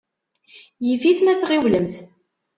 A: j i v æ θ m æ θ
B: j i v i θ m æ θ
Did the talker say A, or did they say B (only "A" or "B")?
B